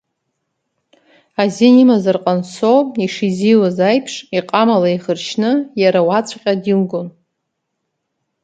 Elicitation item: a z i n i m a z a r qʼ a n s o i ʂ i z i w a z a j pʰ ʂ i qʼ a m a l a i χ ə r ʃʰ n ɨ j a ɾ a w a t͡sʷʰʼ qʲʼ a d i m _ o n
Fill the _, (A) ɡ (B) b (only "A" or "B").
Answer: A